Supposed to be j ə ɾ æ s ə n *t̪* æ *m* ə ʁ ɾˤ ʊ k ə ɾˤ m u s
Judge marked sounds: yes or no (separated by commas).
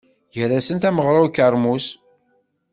yes, yes